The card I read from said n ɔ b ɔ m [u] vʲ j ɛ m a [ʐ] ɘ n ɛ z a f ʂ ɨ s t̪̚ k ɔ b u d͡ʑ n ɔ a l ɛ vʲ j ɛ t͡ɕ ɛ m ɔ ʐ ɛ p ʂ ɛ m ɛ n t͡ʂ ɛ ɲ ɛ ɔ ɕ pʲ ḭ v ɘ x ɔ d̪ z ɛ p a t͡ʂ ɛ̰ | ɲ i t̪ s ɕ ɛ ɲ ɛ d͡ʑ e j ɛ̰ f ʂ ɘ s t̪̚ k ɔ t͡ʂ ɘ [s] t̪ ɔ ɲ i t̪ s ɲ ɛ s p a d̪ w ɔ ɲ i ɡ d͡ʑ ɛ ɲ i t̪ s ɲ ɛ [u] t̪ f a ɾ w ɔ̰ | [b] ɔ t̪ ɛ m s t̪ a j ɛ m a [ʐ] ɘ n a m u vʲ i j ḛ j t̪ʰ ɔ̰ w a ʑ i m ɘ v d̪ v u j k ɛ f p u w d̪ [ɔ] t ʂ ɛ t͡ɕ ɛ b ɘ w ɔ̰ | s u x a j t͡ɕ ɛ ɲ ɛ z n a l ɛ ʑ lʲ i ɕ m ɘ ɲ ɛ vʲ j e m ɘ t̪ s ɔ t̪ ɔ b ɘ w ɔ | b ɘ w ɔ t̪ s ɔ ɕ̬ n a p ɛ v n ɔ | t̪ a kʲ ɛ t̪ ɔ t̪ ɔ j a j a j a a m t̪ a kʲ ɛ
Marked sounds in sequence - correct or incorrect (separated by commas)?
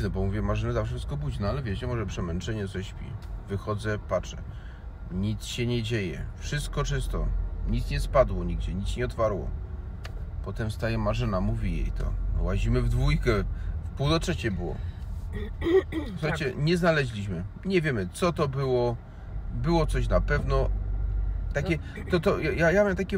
correct, correct, correct, incorrect, incorrect, correct, correct